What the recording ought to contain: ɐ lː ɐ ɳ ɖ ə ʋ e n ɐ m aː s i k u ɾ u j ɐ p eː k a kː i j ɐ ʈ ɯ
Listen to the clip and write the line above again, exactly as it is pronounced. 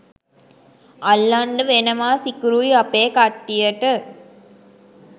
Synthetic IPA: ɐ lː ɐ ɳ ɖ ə ʋ e n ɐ m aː s i k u ɾ u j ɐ p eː k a ʈː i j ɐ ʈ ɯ